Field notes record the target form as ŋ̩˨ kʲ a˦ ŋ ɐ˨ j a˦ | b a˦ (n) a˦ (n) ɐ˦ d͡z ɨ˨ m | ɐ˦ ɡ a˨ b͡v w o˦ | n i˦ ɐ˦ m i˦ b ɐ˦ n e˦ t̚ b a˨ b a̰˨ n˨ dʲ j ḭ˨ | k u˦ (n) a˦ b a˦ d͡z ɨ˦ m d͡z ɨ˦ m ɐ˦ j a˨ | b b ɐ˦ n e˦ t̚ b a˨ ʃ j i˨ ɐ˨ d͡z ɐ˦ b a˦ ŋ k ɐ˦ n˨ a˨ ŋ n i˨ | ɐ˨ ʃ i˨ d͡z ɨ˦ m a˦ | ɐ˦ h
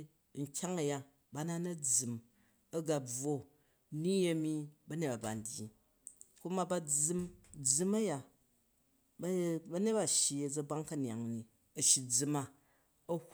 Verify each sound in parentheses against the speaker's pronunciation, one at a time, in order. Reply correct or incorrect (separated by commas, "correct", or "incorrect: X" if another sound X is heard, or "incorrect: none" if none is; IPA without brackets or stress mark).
correct, correct, incorrect: m